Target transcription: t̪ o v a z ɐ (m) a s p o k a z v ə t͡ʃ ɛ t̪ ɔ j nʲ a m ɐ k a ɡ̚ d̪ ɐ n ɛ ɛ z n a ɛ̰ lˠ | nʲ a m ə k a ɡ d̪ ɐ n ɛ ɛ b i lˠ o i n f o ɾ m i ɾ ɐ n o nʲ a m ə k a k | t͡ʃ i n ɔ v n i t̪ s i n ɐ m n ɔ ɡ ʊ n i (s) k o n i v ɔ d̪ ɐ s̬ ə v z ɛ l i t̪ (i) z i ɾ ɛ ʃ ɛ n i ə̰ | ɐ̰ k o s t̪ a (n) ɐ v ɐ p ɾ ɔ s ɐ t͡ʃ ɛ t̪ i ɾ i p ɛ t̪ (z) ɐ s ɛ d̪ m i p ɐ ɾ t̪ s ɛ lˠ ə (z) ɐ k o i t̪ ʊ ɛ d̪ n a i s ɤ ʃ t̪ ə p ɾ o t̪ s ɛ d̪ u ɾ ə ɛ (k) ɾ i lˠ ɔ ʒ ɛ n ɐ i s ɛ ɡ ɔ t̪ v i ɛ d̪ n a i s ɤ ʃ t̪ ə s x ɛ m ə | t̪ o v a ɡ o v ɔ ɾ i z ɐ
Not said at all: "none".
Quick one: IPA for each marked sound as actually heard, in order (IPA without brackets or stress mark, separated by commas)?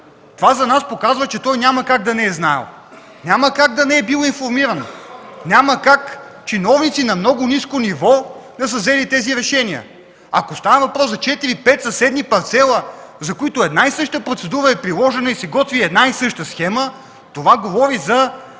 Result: n, s, ɛ, n, s, z, p